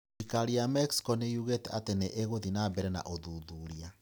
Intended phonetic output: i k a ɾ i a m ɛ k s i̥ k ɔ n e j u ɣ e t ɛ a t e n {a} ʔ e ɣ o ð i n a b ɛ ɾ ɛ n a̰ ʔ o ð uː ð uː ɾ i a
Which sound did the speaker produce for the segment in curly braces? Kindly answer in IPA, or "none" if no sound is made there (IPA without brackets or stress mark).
e